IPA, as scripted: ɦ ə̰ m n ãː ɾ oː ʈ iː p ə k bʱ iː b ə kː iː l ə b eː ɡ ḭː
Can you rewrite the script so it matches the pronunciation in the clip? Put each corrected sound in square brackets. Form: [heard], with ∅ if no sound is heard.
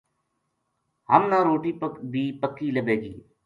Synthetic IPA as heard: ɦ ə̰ m n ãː ɾ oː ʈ iː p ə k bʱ iː [p] ə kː iː l ə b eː ɡ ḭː